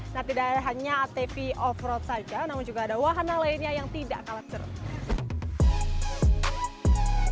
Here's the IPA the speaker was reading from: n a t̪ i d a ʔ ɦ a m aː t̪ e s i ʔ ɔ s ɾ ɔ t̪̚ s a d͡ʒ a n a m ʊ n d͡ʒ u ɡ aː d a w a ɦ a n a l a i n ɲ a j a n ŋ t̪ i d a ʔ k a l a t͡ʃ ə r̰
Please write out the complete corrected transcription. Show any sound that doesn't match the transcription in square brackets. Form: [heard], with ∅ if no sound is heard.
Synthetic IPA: n a t̪ i d a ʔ ɦ a [ɲ] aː t̪ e [f] i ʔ ɔ [f] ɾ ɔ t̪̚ s a d͡ʒ a n a m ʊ n d͡ʒ u ɡ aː d a w a ɦ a n a l a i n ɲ a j a [∅] ŋ t̪ i d a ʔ k a l a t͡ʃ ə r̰